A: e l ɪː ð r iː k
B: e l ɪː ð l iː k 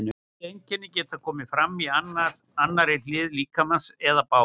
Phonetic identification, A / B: B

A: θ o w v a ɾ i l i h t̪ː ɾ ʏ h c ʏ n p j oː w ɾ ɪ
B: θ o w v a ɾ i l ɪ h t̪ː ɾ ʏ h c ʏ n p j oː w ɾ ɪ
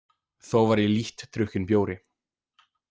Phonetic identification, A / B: A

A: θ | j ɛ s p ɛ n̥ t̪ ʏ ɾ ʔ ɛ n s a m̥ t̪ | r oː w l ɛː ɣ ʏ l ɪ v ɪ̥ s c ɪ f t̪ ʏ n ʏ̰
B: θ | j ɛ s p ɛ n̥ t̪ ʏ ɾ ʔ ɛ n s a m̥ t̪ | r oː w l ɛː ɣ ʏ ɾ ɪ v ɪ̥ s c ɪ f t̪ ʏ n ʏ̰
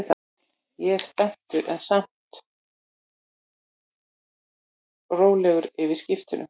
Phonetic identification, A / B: B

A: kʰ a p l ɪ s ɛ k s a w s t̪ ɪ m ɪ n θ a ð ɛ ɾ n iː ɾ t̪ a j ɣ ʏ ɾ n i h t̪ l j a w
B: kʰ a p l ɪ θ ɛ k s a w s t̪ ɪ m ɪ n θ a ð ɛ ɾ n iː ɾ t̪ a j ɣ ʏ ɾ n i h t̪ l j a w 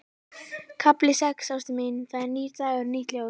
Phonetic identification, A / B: A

